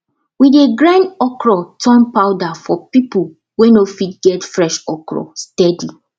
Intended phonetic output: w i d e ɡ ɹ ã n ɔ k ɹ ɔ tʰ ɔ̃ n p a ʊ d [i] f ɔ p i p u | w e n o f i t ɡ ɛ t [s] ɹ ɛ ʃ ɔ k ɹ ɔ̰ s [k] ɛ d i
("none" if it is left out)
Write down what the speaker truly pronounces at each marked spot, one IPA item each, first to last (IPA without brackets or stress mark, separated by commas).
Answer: a, f, t